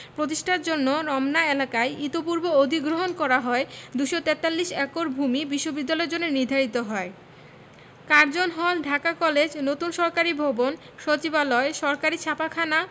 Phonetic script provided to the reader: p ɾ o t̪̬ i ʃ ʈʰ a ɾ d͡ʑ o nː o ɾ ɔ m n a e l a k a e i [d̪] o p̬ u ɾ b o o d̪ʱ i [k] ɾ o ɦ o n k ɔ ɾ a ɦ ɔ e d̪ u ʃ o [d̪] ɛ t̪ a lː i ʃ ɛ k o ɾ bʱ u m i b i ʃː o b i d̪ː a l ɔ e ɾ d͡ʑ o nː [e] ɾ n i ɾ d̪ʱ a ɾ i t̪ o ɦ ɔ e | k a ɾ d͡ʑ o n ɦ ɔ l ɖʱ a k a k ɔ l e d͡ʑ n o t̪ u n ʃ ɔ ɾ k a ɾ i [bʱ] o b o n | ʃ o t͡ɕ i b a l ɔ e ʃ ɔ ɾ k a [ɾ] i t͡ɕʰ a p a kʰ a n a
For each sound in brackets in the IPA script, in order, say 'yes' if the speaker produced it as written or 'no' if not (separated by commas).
no, no, no, yes, yes, yes